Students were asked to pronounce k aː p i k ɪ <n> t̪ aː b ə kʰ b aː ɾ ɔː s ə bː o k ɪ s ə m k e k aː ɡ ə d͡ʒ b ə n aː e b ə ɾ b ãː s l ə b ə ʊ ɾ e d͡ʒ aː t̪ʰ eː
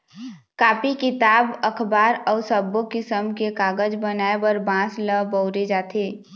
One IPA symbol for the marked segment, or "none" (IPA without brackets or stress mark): none